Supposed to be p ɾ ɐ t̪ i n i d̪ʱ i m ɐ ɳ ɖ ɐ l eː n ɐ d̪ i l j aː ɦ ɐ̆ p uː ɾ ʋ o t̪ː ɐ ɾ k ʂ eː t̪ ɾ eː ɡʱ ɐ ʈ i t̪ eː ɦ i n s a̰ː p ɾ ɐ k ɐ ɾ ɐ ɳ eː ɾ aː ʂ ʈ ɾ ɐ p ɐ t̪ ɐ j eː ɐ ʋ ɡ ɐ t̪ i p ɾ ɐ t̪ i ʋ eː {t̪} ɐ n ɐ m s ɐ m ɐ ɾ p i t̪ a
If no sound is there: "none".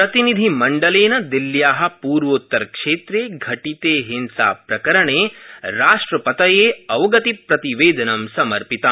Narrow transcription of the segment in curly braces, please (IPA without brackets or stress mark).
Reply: d̪